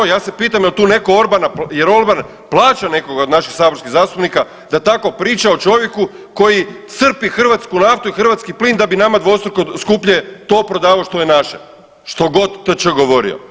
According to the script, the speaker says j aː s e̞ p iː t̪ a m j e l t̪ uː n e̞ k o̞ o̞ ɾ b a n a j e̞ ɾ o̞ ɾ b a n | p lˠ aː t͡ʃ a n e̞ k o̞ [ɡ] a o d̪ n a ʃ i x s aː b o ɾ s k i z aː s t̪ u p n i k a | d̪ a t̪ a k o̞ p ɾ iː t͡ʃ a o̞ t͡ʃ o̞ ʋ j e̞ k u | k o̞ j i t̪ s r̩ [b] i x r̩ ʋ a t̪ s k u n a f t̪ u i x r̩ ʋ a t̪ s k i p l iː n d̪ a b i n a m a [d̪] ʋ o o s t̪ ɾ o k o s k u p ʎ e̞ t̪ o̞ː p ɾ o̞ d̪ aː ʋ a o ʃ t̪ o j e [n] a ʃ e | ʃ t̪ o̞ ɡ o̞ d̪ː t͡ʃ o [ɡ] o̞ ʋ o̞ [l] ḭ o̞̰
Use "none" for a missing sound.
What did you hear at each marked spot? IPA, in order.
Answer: ɡ, p, d̪, n, ɡ, ɾ

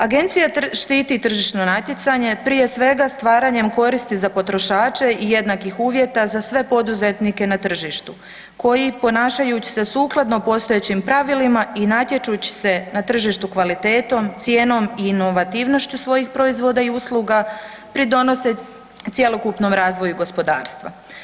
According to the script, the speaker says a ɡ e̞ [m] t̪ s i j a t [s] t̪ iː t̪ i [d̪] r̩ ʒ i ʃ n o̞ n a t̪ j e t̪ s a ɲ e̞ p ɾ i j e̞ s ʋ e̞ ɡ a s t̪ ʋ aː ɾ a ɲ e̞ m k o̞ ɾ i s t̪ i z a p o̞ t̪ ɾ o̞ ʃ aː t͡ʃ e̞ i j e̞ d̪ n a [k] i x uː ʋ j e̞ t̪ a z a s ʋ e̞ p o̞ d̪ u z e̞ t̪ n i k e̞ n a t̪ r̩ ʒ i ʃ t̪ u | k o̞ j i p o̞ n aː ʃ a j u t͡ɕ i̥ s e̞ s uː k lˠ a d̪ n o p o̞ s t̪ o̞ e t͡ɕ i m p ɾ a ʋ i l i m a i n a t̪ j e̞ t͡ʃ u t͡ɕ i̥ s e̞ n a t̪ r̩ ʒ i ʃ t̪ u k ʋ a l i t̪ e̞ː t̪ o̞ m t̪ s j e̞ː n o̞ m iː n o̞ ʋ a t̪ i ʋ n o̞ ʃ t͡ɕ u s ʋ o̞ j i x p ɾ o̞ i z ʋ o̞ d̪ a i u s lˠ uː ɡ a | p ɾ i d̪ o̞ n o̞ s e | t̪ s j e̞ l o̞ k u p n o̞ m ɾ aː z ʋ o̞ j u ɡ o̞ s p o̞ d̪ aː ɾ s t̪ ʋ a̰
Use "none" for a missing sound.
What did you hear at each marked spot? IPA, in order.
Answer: n, ʃ, t̪, k

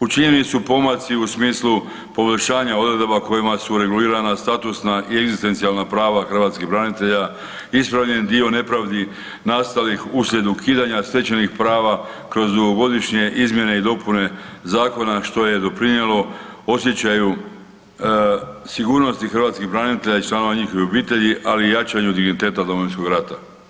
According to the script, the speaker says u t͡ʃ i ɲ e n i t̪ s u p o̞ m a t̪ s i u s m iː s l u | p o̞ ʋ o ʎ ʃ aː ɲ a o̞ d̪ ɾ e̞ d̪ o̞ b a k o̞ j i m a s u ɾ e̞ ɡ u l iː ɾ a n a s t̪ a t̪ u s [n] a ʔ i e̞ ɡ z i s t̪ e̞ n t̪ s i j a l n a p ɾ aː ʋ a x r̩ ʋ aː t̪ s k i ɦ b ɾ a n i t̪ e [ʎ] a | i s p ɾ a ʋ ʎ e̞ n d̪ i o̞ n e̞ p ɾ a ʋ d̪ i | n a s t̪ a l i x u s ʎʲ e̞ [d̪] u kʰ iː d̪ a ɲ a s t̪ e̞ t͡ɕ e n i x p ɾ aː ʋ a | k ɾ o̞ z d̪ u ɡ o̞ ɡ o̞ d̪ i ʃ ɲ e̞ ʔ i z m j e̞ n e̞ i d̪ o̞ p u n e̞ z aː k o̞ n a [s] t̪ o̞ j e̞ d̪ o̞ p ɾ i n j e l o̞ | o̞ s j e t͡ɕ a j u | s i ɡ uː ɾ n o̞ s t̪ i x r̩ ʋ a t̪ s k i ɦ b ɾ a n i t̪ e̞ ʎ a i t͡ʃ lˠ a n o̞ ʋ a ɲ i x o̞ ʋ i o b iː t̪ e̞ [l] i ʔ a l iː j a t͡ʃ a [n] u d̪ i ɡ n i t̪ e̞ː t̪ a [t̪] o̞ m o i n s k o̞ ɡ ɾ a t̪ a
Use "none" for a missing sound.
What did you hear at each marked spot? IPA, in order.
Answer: n, ʎ, d̪, ʃ, ʎ, ɲ, d̪

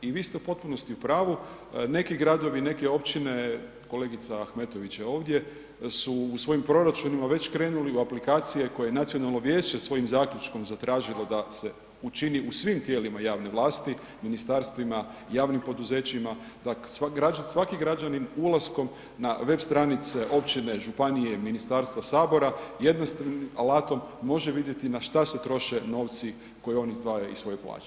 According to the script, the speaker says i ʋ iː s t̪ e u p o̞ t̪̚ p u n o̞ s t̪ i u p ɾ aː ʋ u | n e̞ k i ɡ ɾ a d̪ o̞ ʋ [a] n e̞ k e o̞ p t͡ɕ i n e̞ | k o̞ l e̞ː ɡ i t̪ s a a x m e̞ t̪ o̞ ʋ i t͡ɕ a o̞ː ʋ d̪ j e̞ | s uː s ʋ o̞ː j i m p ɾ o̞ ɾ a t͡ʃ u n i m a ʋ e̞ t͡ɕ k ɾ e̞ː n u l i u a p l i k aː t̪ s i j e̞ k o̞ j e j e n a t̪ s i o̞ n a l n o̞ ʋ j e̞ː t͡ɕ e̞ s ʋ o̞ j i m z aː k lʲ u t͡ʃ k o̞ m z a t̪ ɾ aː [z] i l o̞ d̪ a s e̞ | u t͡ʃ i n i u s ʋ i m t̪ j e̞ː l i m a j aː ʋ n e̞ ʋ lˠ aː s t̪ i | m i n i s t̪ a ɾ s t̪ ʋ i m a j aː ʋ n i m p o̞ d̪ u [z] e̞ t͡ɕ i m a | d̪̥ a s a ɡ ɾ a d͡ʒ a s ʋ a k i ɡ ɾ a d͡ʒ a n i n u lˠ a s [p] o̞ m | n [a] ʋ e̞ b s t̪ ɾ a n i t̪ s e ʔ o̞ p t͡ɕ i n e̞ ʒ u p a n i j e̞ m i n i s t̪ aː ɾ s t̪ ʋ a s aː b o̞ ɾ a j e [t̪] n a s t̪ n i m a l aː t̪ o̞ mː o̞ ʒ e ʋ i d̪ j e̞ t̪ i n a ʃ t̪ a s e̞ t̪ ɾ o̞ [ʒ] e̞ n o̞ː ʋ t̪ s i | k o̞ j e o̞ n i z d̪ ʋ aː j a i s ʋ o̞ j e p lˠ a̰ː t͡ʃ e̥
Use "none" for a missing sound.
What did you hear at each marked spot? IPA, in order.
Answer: i, ʒ, z, k, a, d̪, ʃ

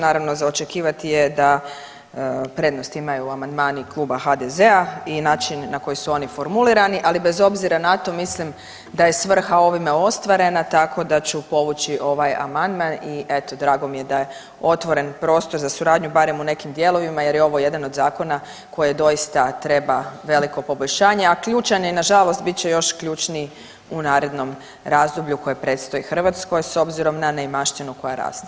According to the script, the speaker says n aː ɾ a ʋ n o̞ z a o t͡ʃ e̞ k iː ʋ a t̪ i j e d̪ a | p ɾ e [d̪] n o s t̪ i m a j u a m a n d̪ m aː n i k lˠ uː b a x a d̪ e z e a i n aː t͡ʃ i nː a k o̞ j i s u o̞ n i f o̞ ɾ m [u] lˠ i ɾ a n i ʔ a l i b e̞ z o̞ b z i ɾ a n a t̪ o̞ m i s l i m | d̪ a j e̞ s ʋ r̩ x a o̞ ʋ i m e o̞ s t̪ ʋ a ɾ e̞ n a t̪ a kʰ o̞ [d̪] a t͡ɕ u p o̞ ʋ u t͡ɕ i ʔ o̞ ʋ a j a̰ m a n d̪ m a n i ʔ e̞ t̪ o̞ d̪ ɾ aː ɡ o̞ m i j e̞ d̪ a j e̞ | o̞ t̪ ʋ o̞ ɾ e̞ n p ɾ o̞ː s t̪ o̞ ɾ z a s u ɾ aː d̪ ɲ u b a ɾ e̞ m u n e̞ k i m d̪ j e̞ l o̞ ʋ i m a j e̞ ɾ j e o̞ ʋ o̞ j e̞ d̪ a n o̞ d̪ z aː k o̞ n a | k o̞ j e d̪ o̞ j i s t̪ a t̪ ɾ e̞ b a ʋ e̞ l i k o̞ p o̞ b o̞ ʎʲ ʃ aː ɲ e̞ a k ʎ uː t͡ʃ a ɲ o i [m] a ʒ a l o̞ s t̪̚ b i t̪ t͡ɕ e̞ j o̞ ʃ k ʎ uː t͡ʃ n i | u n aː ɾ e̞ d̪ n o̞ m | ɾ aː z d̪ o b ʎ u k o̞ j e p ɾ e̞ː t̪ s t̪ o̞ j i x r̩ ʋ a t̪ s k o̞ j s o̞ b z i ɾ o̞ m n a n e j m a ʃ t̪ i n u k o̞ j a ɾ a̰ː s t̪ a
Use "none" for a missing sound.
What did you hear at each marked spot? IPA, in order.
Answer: d̪, u, d̪, n

